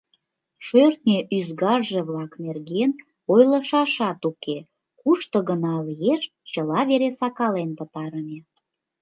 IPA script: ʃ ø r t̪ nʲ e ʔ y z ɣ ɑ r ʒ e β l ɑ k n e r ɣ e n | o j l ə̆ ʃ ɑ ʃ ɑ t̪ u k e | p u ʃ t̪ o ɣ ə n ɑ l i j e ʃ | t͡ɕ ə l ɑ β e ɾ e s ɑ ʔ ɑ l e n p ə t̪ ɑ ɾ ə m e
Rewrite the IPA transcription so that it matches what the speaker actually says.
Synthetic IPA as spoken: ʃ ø r t̪ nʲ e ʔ y z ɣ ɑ r ʒ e β l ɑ k n e r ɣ e n | o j l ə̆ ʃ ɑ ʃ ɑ t̪ u k e | k u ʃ t̪ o ɣ ə n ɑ l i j e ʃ | t͡ɕ ə l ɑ β e ɾ e s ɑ k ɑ l e n p ə t̪ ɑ ɾ ə m e